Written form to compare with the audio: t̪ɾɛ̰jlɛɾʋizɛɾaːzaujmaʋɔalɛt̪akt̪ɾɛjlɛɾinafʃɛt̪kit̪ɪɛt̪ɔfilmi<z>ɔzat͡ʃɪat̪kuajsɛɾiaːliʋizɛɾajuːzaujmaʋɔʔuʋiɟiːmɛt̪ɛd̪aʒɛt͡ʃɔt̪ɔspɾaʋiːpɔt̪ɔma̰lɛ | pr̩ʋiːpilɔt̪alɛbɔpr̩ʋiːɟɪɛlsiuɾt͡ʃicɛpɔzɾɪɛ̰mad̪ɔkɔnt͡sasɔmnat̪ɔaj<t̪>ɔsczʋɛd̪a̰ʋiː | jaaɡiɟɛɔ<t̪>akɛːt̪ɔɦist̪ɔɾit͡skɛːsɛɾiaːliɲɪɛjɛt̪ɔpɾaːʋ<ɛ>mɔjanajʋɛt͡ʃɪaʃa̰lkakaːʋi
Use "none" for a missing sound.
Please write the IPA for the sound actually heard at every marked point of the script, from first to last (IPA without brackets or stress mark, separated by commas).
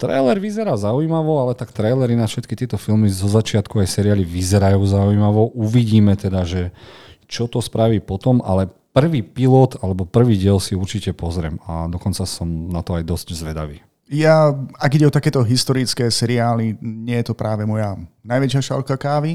z, d̪, t̪, ɛ